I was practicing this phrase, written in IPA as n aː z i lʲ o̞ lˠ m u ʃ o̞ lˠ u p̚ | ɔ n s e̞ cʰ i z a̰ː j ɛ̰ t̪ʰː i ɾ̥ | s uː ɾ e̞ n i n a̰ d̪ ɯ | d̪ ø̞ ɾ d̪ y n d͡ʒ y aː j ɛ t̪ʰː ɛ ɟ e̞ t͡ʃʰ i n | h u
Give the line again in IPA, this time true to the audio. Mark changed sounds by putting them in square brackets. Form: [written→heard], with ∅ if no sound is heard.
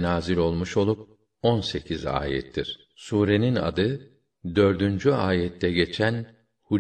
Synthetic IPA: n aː z i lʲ o̞ lˠ m u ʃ o̞ lˠ u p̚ | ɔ n s e̞ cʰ i z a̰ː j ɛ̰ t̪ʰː i ɾ̥ | s uː ɾ e̞ n i n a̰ d̪ ɯ | d̪ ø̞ ɾ d̪ y n d͡ʒ y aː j ɛ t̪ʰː ɛ ɟ e̞ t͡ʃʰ [i→æ] n | h u